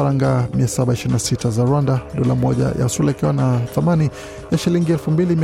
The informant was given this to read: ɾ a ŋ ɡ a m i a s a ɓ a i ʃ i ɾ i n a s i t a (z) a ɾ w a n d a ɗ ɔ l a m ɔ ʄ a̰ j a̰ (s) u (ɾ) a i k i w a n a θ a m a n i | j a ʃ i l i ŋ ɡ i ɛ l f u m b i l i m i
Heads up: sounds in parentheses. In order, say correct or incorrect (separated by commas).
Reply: correct, correct, incorrect